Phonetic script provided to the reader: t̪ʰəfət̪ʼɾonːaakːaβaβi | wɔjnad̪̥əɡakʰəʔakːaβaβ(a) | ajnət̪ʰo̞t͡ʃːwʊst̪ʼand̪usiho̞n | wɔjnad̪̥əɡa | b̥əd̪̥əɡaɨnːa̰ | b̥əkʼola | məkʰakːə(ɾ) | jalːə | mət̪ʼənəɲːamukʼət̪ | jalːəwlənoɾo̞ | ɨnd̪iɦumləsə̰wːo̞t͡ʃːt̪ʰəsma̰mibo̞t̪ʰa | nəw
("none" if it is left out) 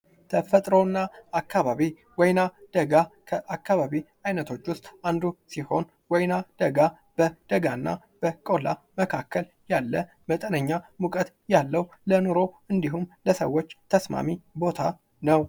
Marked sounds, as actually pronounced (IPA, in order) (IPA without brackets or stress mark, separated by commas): i, l